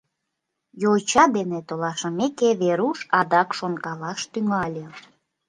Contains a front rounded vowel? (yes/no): yes